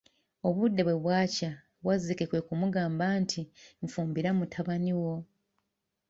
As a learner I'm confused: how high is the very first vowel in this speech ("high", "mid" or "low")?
mid